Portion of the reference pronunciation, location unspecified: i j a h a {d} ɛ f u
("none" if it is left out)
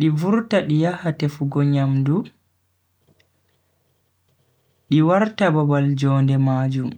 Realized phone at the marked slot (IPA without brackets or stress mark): t